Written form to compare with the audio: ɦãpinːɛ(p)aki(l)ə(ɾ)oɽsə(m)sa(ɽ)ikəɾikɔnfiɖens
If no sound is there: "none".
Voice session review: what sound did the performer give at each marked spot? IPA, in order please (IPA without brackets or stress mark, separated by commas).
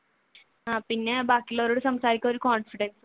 b, l, ɾ, m, ɾ